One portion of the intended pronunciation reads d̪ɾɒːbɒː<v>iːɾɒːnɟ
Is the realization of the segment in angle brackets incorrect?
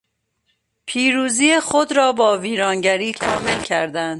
no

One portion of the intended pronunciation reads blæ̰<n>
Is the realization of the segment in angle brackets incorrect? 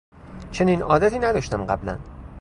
no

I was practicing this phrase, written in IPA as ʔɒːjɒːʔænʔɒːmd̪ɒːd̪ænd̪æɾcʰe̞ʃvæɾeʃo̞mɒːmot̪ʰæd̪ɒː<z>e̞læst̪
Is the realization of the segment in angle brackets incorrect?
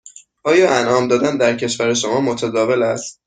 yes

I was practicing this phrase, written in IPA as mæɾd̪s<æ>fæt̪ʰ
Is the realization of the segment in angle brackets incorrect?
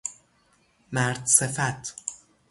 yes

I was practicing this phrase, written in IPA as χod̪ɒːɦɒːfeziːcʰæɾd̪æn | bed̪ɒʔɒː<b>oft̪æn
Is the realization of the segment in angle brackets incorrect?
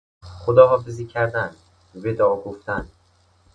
yes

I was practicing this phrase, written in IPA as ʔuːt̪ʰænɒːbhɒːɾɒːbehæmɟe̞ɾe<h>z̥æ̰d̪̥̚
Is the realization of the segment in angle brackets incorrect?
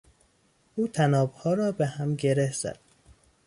no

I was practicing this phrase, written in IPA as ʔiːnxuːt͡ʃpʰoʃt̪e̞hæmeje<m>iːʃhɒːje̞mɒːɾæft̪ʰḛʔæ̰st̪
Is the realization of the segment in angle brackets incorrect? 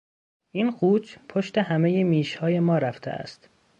no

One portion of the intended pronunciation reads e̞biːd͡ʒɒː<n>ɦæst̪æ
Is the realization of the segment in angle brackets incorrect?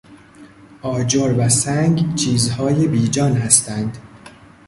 no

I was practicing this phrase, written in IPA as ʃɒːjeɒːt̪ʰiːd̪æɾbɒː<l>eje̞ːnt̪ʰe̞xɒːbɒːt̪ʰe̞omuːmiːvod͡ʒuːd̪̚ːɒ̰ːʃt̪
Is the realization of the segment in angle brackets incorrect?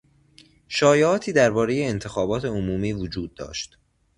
yes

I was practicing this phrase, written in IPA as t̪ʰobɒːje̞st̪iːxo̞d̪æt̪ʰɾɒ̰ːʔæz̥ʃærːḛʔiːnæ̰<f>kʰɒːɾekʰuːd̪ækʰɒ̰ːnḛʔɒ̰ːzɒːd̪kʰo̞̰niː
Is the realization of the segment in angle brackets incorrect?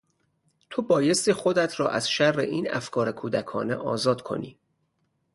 no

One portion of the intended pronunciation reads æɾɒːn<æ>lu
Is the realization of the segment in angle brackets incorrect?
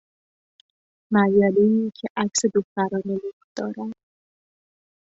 yes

